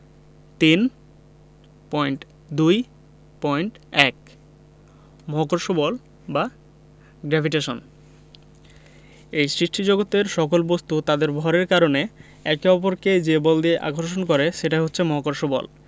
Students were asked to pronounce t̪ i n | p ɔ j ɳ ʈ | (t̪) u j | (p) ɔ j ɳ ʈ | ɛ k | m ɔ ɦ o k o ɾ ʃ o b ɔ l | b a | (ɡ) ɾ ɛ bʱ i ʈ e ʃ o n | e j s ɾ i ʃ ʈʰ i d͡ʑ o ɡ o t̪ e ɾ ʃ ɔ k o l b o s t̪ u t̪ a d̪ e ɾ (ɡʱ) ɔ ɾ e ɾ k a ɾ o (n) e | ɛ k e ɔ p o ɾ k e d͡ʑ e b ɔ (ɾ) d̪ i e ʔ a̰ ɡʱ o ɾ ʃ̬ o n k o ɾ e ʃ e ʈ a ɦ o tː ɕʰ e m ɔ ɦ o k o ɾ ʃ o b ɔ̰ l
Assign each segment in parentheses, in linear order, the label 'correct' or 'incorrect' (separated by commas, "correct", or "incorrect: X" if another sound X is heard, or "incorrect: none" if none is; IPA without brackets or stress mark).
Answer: incorrect: d̪, correct, correct, incorrect: bʱ, correct, incorrect: l